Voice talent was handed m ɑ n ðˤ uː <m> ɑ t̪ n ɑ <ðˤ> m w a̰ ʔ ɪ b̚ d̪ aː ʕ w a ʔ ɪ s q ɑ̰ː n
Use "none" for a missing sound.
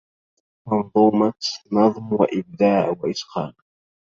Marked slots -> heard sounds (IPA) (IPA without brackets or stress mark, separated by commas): m, ðˤ